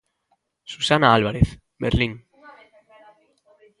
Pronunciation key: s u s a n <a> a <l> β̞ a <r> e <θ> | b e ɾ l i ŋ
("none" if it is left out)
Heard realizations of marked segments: a, l, ɾ, θ

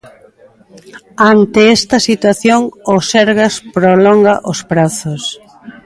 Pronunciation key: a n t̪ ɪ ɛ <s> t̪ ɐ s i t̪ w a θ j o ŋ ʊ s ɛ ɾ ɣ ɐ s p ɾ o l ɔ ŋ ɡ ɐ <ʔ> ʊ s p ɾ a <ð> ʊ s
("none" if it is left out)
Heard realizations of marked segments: s, ʔ, θ

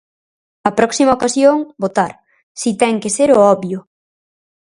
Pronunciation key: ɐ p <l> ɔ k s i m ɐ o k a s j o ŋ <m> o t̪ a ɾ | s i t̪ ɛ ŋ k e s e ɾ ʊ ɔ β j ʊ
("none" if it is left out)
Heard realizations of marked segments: ɾ, b

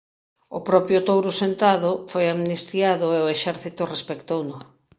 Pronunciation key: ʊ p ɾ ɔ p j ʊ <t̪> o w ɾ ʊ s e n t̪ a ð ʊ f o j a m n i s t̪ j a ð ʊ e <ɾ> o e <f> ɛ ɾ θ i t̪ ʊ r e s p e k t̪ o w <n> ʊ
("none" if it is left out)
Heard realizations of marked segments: t̪, none, ʃ, n

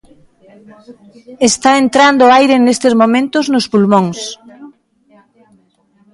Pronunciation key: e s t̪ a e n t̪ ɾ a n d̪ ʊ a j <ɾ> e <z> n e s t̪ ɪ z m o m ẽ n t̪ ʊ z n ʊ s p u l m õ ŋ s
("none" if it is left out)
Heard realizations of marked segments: ɾ, none

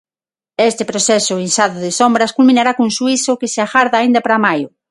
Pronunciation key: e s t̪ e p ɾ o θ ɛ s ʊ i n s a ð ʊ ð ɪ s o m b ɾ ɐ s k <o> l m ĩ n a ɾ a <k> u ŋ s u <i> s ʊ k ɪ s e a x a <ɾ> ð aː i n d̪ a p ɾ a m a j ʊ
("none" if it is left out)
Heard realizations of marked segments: u, k, i, ɾ

